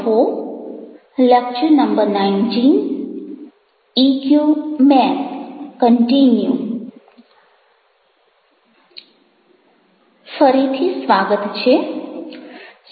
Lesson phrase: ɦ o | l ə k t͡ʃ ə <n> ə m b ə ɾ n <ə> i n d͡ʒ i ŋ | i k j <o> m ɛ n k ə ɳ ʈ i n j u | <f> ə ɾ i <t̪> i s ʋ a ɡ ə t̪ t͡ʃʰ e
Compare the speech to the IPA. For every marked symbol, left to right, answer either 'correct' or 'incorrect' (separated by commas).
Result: correct, incorrect, incorrect, correct, incorrect